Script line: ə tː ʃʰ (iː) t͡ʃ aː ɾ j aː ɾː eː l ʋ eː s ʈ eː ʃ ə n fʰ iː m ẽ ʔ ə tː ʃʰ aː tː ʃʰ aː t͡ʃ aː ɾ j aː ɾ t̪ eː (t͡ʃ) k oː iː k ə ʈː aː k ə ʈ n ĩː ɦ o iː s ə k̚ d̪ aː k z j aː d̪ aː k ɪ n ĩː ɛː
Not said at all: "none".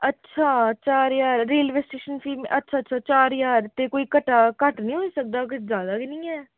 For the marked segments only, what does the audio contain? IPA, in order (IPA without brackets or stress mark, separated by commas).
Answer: aː, none